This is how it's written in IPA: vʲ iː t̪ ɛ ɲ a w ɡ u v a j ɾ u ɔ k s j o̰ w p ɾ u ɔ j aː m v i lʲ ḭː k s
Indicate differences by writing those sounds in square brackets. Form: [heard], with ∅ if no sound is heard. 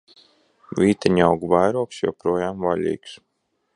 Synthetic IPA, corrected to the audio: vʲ iː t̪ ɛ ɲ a w ɡ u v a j ɾ u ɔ k s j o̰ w p ɾ u ɔ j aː m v [a] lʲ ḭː k s